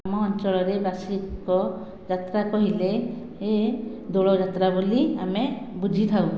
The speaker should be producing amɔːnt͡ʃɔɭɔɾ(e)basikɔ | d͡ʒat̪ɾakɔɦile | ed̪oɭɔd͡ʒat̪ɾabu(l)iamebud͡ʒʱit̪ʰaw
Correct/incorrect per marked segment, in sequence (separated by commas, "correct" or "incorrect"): correct, correct